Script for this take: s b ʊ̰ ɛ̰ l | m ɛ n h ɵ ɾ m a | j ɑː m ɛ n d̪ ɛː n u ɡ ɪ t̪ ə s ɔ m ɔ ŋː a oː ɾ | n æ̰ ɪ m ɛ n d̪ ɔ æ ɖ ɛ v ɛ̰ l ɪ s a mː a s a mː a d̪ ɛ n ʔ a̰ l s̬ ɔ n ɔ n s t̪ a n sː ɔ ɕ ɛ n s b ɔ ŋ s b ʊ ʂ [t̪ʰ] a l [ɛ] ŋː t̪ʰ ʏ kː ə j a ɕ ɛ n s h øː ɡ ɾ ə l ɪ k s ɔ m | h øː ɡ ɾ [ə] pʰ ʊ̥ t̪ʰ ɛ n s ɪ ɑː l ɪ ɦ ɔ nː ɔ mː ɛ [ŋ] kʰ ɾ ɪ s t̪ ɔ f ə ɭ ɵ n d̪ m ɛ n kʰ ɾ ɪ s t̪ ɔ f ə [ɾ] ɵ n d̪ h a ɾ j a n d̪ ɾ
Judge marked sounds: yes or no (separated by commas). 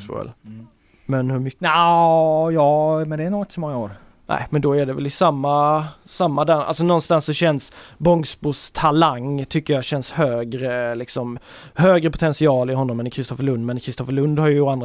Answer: yes, no, yes, no, no